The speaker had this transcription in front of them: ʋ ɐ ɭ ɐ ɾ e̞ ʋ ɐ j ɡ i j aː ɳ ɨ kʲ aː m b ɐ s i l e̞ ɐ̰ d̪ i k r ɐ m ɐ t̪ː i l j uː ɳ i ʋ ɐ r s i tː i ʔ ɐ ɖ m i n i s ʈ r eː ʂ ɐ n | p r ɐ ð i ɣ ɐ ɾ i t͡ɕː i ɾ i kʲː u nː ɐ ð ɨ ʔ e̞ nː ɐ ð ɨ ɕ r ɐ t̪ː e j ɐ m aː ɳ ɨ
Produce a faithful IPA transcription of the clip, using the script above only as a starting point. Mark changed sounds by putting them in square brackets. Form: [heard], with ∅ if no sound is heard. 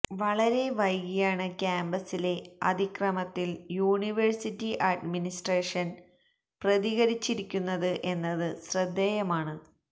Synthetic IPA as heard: ʋ ɐ ɭ ɐ ɾ e̞ ʋ ɐ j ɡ i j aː ɳ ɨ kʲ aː m b ɐ s i l e̞ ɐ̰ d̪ i k r ɐ m ɐ t̪ː i l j uː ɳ i ʋ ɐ r s i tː i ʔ ɐ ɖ m i n i s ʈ r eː ʂ ɐ n | p r ɐ ð i ɣ ɐ ɾ i t͡ɕː i ɾ i kʲː u nː ɐ ð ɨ ʔ e̞ nː ɐ ð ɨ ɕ r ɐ [d̪ː] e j ɐ m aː ɳ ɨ